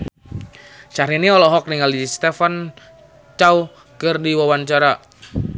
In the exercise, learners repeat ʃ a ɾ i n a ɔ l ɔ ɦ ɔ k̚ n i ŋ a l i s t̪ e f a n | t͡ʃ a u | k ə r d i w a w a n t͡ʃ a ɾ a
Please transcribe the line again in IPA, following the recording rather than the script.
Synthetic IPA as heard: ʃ a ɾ i n i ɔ l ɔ ɦ ɔ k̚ n i ŋ a l i s t̪ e f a n | t͡ʃ a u | k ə r d i w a w a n t͡ʃ a ɾ a